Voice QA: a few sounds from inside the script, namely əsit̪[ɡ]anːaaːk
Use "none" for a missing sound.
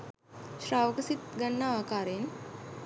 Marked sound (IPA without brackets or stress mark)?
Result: ɡ